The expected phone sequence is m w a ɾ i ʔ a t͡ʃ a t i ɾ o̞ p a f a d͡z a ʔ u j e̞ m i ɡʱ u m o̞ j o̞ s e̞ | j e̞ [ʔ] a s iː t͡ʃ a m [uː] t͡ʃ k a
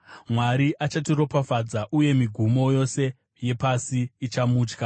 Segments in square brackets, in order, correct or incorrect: incorrect, correct

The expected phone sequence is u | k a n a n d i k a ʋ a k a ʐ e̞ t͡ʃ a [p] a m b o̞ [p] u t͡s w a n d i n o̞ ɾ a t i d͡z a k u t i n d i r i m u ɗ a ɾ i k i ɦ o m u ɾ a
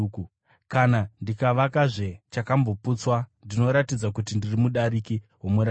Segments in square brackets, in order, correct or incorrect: incorrect, correct

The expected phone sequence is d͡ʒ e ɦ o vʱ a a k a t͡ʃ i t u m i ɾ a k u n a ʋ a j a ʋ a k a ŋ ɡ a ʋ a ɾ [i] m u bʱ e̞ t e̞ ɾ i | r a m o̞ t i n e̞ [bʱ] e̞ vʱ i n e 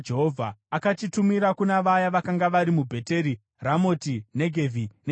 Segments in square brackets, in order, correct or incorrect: correct, incorrect

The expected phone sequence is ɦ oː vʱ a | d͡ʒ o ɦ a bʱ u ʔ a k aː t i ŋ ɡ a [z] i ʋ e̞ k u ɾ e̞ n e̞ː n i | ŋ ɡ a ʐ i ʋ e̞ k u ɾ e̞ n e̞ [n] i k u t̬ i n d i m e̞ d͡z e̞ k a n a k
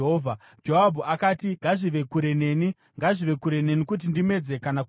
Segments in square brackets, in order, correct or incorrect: incorrect, correct

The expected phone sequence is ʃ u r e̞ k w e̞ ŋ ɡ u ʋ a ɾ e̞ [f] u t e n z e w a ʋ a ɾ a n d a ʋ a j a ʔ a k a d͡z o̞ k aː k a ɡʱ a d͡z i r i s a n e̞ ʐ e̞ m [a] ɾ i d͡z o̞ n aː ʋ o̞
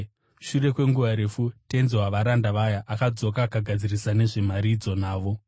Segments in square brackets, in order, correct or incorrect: correct, correct

